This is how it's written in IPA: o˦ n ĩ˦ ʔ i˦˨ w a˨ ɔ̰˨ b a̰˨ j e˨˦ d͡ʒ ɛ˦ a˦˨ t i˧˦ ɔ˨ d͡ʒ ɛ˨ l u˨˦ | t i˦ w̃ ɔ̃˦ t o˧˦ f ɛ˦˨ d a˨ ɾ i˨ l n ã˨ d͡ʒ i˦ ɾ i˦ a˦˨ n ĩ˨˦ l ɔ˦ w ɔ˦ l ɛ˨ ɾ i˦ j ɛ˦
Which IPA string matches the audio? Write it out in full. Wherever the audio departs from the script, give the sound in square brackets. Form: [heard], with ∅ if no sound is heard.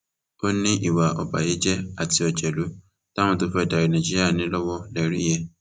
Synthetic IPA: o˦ n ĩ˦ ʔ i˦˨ w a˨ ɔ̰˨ b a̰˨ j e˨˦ d͡ʒ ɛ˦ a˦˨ t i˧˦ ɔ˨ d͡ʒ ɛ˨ l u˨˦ | t [a˦] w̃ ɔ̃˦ t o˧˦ f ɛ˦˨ d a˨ ɾ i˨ [∅] n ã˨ d͡ʒ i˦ ɾ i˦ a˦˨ n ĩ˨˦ l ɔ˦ w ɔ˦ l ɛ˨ ɾ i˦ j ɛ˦